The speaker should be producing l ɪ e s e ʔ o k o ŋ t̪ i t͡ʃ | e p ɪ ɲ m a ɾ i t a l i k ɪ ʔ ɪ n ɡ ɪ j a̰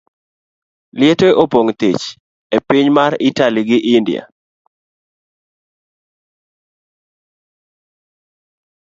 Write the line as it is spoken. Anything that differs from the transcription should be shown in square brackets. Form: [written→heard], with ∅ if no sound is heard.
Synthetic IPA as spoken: l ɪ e [s→t] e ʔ o [k→p] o ŋ t̪ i t͡ʃ | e p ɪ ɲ m a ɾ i t a l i [k→ɡ] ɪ ʔ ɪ n [ɡ→d] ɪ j a̰